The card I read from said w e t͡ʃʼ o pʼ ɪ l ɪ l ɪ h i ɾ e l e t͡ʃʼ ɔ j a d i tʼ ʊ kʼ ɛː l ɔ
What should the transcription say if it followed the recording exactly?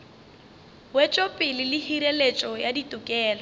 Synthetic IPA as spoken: w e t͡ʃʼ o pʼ ɪ l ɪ l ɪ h i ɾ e l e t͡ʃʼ ɔ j a d i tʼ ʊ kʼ ɛː l ɔ